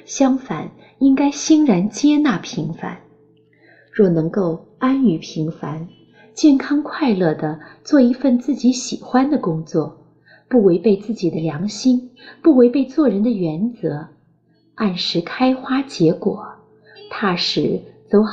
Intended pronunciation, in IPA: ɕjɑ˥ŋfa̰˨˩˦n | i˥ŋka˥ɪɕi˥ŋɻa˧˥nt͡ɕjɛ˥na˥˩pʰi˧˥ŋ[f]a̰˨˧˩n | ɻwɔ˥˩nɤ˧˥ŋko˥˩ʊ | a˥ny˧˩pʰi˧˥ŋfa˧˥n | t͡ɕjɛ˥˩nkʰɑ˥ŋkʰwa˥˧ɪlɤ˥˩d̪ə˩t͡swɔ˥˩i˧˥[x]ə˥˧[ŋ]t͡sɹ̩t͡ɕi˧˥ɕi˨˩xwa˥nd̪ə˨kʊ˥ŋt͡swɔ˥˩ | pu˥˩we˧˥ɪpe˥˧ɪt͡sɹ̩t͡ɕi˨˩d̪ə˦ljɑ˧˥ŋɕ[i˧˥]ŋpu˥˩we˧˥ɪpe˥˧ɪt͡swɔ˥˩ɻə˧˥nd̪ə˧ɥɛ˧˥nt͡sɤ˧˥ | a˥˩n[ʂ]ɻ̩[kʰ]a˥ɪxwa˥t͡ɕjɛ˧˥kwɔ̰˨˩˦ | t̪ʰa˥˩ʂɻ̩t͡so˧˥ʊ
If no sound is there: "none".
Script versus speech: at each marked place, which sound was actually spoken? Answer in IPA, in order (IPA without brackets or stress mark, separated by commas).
f, f, n, i˥, ʂ, kʰ